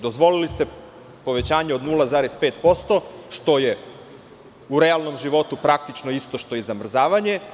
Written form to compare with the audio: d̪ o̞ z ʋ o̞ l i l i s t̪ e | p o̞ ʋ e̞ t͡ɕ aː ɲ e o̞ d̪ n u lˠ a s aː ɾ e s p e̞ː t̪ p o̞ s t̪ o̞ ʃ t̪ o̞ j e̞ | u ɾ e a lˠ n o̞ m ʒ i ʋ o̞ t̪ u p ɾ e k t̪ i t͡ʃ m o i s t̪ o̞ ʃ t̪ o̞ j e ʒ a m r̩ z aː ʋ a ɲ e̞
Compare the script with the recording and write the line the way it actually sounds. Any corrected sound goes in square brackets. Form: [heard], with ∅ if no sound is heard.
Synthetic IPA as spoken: d̪ o̞ z ʋ o̞ l i l i s t̪ e | p o̞ ʋ e̞ t͡ɕ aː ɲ e o̞ d̪ n u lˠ a [z] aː ɾ e s p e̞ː t̪ p o̞ s t̪ o̞ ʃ t̪ o̞ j e̞ | u ɾ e a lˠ n o̞ m ʒ i ʋ o̞ t̪ u p ɾ [a] k t̪ i t͡ʃ [n] o i s t̪ o̞ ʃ t̪ o̞ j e [z] a m r̩ z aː ʋ a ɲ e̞